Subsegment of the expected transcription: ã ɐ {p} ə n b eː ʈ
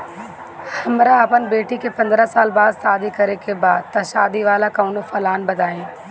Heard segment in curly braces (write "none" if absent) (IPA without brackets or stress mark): p